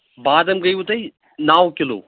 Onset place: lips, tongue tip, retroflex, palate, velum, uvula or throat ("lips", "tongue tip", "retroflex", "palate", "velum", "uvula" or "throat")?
lips